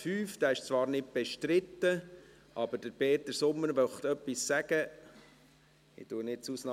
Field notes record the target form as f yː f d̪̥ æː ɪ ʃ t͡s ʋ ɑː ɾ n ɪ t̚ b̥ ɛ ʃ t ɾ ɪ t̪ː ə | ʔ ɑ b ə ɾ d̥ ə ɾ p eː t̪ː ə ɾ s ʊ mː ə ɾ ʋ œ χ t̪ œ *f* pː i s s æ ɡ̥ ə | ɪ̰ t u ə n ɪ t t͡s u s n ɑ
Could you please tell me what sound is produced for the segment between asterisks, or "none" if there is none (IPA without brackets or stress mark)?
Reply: none